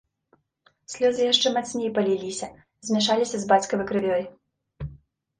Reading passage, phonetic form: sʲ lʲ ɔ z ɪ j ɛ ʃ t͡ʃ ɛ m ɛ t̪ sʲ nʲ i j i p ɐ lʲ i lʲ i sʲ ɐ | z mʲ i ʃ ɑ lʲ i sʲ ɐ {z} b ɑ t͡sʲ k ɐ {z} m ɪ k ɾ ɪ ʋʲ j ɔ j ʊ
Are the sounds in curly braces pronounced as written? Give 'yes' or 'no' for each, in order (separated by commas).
yes, no